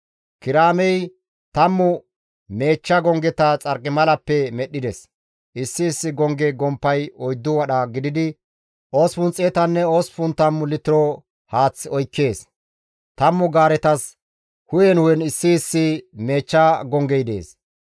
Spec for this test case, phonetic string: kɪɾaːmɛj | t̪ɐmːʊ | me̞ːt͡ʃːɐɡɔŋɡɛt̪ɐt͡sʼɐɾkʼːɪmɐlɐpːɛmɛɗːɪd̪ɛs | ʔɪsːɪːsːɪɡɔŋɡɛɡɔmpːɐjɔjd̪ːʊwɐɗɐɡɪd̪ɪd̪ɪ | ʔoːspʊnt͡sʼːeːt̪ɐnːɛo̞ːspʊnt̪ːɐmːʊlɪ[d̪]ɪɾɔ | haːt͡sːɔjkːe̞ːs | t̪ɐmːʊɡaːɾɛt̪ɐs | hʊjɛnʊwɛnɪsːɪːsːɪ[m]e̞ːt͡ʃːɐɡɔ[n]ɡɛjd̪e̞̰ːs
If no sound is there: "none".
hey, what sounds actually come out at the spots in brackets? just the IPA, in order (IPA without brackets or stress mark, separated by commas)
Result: t̪, m, ŋ